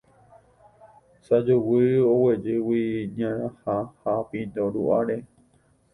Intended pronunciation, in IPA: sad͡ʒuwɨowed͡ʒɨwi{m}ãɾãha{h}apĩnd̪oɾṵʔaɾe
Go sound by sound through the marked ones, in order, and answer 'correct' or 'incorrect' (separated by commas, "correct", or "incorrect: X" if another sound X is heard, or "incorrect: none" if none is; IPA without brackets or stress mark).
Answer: incorrect: ɲ, correct